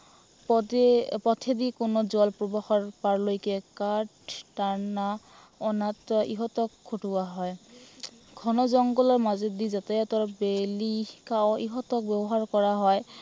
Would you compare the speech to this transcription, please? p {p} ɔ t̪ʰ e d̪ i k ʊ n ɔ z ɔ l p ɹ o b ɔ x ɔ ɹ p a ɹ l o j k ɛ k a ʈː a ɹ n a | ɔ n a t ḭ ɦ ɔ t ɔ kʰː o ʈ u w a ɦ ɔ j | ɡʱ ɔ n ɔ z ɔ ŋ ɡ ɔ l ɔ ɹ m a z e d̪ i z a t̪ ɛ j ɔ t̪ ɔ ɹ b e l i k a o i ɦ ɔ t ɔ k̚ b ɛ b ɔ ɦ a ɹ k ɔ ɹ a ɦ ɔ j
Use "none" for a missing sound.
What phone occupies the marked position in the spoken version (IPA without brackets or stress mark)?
p